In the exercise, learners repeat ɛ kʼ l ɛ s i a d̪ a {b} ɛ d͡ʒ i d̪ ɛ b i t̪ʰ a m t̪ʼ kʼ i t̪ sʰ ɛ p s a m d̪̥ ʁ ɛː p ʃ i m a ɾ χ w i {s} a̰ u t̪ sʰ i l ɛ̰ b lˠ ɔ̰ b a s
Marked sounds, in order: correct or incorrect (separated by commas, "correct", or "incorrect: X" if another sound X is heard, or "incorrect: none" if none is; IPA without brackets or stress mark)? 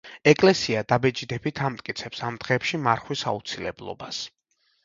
correct, correct